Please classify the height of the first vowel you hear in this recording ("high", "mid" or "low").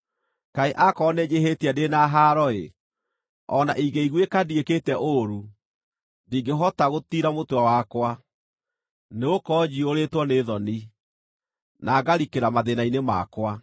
low